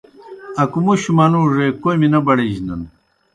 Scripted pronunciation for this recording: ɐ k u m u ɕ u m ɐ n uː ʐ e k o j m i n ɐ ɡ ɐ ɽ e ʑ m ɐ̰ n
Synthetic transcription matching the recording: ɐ k u m u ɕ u m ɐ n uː ʐ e k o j m i n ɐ b ɐ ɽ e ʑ n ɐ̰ n

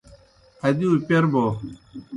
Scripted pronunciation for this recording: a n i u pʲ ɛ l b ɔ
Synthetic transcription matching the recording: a d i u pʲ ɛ ɾ b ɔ

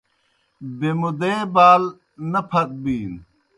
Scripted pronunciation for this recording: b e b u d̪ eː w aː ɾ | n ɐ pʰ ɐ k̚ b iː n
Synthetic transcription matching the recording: b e m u d̪ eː b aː l | n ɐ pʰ ɐ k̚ b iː n

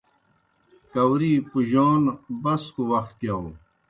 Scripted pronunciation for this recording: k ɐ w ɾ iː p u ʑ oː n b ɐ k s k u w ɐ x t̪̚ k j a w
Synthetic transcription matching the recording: k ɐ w ɾ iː p u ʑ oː n b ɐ s k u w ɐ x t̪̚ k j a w

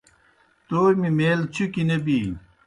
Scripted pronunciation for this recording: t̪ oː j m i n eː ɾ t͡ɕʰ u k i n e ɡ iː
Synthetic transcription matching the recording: t̪ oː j m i m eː l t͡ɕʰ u k i n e b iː

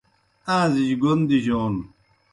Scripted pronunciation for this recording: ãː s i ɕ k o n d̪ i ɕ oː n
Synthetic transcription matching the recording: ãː z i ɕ ɡ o n d̪ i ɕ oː n

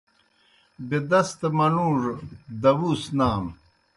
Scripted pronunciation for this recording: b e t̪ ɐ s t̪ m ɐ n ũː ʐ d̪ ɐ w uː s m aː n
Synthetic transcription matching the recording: b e d̪ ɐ s t̪ m ɐ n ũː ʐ d̪ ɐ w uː s n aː m

